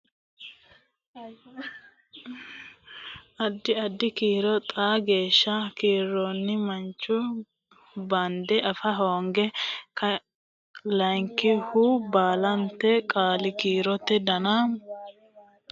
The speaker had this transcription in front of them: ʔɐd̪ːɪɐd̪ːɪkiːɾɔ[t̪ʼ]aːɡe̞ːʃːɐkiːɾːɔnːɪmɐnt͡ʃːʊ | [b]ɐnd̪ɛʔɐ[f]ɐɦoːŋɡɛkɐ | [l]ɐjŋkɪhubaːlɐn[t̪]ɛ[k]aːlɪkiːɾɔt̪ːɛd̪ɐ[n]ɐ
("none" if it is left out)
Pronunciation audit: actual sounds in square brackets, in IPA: t̪ʼ, b, f, l, t̪, kʼ, n

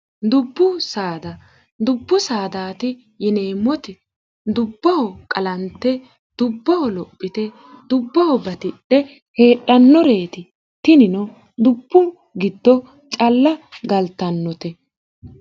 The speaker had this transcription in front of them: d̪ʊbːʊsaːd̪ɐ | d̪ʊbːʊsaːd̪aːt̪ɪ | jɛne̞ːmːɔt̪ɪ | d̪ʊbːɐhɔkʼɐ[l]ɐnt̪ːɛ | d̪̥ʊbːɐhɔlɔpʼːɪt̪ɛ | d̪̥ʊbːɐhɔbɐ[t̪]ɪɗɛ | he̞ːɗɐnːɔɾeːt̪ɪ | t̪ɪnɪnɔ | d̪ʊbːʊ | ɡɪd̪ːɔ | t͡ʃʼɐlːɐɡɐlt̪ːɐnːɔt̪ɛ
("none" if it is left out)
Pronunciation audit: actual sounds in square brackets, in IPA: l, t̪

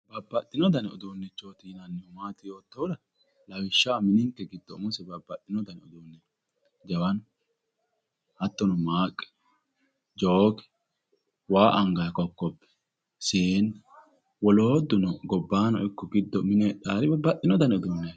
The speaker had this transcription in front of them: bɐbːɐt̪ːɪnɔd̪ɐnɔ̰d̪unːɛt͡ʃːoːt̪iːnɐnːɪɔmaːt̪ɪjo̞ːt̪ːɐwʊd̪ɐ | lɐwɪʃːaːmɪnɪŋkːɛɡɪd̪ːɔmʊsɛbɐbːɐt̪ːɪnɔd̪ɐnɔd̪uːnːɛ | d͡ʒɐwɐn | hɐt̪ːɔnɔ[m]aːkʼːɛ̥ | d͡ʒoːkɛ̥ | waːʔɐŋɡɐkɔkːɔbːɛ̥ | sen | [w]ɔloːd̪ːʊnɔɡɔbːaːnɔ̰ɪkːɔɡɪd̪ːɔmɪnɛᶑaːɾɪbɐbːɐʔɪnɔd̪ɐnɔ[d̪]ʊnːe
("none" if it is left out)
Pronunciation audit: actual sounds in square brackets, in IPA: m, w, d̪

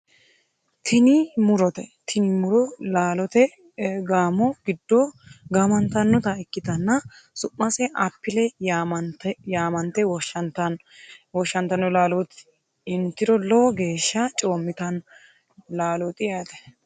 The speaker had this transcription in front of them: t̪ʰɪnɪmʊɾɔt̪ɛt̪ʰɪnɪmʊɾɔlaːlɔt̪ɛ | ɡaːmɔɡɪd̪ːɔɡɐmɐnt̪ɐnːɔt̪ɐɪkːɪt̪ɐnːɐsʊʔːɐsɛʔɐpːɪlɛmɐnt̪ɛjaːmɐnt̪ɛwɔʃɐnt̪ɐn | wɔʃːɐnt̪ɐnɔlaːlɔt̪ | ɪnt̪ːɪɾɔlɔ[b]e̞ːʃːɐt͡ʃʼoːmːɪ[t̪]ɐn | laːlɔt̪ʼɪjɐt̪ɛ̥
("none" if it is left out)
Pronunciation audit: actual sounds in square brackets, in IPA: ɡ, t̪

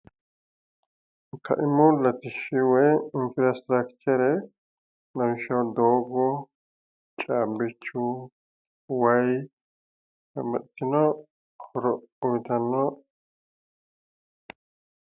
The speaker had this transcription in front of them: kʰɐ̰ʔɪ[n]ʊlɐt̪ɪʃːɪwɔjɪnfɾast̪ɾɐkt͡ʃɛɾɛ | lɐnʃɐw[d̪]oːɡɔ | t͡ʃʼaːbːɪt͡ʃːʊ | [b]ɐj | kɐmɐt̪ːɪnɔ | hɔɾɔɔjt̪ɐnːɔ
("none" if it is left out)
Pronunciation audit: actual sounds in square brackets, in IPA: m, d̪, w

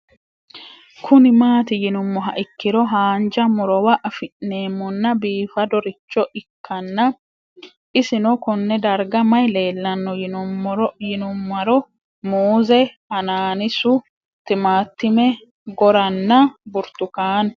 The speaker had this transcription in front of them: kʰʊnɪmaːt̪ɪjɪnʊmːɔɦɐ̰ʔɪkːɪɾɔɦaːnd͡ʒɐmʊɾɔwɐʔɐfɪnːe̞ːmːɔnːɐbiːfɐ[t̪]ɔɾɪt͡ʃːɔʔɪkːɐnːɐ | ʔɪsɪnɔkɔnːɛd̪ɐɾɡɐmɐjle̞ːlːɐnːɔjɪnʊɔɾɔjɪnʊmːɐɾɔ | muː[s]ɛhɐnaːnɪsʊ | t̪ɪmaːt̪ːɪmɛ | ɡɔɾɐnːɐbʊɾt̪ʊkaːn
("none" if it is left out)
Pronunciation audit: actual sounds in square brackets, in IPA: d̪, z

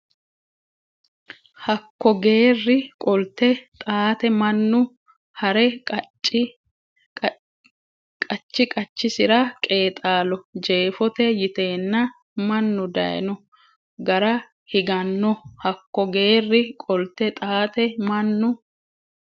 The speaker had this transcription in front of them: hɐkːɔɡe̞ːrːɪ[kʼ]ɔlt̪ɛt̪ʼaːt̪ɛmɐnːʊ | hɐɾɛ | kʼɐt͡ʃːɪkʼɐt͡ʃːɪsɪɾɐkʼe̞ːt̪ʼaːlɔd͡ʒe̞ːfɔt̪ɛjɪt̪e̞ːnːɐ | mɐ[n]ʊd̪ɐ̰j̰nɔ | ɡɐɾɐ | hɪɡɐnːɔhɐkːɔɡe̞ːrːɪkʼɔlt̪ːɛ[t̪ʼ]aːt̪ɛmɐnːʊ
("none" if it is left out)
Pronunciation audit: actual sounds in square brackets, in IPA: kʼ, nː, t̪ʼ

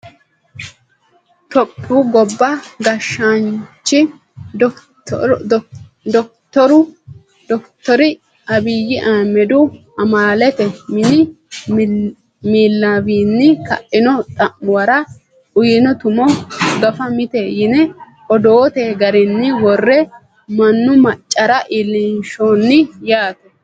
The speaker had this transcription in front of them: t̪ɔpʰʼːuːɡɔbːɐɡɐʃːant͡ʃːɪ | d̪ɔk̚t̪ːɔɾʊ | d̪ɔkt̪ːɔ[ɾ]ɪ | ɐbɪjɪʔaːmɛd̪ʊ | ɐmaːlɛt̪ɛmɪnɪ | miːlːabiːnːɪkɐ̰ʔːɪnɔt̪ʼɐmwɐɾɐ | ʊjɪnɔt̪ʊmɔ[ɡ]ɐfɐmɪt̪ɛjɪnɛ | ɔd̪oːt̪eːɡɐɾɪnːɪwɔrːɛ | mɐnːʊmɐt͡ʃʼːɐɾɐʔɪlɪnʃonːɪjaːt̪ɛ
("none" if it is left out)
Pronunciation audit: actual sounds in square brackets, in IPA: ɾ, ɡ

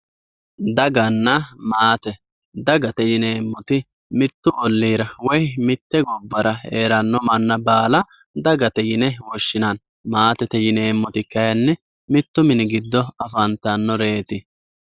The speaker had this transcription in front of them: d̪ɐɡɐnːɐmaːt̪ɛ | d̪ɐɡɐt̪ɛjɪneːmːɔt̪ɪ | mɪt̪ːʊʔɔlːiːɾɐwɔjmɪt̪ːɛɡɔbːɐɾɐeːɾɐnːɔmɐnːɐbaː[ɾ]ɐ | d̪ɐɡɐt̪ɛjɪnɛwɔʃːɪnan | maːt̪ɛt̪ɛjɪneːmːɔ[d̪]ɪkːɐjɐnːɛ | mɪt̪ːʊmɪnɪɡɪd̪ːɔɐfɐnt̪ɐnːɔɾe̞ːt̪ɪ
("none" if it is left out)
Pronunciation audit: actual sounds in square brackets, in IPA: l, t̪

